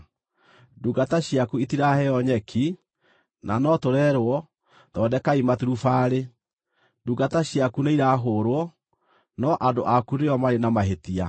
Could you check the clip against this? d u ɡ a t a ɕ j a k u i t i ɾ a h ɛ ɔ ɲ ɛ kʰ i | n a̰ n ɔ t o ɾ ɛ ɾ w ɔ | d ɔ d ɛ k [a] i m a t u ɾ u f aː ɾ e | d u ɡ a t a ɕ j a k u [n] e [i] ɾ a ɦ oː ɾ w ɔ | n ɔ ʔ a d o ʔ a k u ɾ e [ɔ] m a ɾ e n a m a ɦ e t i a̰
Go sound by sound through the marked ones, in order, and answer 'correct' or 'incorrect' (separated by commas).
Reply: correct, correct, correct, correct